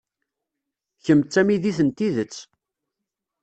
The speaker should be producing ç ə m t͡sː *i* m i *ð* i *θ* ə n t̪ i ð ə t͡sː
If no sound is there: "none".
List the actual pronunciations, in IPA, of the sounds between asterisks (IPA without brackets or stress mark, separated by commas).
æ, ð, θ